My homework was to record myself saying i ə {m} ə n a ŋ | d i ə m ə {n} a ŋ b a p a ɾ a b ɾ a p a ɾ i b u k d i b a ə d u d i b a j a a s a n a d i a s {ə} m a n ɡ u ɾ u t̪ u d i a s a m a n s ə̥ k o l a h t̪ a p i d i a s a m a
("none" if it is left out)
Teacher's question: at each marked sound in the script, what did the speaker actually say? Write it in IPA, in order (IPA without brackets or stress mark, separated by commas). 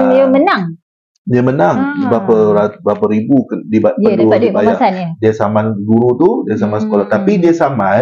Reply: m, n, a